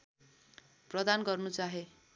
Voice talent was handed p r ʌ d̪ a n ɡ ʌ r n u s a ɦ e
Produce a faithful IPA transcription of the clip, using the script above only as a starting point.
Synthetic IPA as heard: p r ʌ d̪ a n ɡ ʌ r n u t͡s a ɦ e